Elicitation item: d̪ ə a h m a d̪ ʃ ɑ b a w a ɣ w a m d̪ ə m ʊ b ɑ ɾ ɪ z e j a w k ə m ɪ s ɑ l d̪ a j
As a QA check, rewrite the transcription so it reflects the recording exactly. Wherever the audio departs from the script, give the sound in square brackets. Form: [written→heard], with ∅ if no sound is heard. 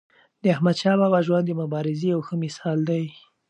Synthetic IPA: d̪ ə a h m a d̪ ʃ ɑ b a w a [ɣ→ʒ] w a [m→n] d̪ ə m ʊ b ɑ ɾ ɪ z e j a w [k→x] ə m ɪ s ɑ l d̪ a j